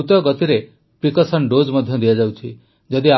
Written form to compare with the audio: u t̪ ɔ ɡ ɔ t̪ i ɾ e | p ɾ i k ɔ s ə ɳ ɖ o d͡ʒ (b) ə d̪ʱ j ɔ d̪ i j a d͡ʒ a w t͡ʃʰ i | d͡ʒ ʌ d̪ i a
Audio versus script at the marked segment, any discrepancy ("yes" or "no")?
yes